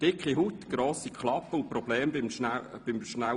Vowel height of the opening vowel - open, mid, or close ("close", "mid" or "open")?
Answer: close